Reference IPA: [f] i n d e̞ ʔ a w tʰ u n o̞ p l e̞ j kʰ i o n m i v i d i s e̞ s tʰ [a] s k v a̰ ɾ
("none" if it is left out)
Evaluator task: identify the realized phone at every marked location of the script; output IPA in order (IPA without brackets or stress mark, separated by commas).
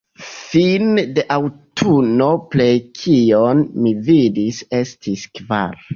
f, i